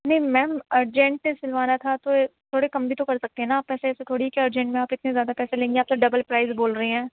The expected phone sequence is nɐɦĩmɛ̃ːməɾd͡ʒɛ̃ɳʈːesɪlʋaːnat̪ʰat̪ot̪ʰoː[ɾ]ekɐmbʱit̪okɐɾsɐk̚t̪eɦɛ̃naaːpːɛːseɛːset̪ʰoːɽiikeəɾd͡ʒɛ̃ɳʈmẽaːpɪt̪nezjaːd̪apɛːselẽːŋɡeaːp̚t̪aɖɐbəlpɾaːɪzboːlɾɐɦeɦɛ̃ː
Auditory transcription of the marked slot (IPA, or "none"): ɽ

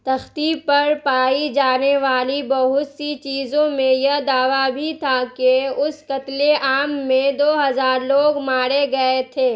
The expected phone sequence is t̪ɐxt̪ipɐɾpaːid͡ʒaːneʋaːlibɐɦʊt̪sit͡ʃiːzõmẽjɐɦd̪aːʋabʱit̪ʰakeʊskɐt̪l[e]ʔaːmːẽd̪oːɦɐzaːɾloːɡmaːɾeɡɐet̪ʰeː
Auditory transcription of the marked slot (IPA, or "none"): e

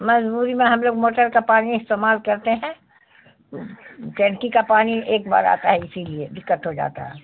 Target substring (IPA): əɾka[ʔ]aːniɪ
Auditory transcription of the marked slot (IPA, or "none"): p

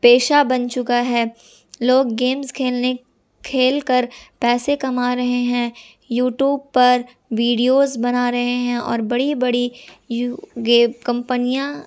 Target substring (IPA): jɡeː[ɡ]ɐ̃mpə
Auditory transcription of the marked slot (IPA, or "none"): k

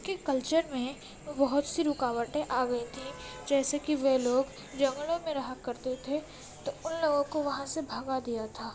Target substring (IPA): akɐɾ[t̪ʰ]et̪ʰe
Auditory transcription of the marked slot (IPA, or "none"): t̪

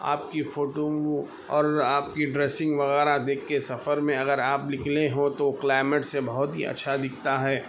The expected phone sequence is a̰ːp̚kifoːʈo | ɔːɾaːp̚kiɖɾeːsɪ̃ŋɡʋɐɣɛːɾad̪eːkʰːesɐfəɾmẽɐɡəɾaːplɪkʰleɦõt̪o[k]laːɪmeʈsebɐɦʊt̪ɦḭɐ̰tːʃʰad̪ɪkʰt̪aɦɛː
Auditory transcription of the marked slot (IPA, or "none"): k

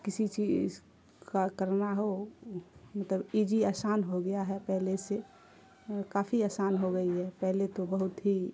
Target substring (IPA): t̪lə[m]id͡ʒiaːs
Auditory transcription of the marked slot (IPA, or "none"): b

